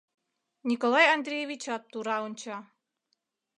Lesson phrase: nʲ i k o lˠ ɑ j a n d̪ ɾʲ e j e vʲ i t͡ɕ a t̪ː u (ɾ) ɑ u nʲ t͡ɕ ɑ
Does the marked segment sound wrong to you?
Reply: no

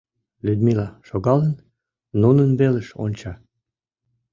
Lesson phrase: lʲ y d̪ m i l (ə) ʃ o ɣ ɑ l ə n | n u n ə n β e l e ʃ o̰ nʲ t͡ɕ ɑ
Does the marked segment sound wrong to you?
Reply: yes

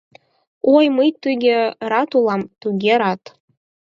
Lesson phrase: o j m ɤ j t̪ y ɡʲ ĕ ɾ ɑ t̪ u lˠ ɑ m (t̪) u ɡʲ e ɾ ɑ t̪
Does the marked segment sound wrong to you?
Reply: no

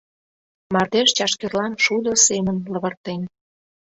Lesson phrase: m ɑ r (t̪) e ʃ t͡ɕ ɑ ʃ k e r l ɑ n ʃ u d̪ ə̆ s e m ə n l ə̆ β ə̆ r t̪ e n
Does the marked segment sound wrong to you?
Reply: yes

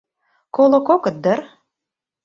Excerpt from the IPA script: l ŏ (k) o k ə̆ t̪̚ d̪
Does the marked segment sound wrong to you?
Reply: no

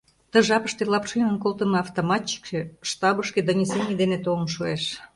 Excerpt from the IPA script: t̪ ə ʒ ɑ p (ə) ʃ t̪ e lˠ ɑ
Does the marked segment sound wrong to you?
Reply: no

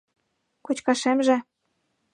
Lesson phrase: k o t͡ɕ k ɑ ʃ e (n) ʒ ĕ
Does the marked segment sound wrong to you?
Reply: yes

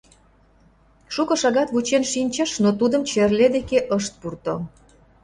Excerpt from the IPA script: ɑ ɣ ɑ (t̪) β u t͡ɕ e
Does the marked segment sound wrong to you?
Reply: no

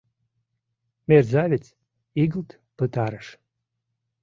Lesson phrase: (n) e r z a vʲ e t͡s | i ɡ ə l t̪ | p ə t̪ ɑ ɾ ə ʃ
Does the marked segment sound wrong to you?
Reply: yes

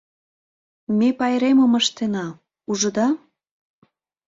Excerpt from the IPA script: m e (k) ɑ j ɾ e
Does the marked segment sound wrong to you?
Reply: yes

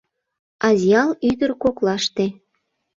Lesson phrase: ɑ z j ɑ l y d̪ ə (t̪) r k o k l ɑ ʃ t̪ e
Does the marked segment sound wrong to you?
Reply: yes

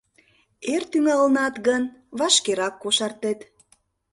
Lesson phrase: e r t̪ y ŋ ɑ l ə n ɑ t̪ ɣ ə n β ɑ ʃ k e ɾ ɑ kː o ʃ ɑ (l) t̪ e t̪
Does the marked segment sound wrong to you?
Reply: yes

